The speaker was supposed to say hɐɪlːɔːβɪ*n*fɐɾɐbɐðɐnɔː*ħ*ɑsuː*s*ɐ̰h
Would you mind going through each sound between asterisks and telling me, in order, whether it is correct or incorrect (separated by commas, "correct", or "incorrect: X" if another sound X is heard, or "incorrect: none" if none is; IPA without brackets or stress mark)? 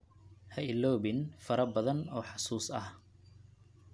correct, correct, correct